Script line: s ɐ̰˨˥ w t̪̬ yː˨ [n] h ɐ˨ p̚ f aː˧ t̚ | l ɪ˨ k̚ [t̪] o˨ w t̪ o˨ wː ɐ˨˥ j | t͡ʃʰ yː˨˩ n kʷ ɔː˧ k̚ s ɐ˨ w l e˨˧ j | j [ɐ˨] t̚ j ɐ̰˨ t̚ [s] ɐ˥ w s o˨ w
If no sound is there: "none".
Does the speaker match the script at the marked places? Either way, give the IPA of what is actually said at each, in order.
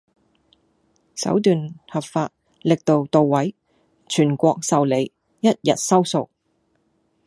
n, t̪, ɐ˥, s

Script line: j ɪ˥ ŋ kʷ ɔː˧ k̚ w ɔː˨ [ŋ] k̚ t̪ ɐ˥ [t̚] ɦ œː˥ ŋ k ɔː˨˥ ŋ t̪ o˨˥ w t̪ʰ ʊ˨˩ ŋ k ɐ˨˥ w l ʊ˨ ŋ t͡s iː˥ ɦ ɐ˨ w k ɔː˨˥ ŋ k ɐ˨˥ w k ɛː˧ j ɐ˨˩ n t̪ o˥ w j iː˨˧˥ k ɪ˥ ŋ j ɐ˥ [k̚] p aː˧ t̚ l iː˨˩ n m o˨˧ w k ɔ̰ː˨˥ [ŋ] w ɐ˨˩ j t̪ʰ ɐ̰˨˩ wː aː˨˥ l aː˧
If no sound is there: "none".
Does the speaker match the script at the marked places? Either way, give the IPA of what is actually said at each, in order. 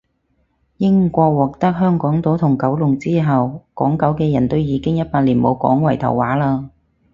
none, k̚, t̚, ŋ

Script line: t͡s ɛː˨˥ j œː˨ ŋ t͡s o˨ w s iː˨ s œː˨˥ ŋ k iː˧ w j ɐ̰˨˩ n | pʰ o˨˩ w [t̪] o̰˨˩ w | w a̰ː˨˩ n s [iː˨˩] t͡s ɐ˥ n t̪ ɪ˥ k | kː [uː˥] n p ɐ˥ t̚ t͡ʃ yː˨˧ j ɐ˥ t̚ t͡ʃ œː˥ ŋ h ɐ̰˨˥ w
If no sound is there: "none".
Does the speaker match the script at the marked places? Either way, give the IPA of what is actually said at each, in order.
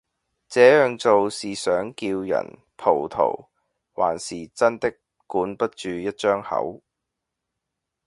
t̪ʰ, iː˨˩, uː˨˥

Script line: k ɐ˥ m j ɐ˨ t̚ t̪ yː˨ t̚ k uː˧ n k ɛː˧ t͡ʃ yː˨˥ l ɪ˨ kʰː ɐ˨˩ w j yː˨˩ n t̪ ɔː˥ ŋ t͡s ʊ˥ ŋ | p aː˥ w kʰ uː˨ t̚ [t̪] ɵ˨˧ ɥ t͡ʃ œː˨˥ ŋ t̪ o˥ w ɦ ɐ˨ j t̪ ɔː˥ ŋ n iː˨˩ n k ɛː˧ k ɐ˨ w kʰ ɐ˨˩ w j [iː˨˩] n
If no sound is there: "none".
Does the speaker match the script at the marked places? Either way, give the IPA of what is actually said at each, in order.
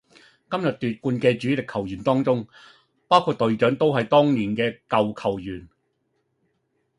t̪, yː˨˩

